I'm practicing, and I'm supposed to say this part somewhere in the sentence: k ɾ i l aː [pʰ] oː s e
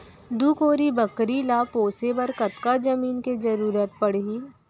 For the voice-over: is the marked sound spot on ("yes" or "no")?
no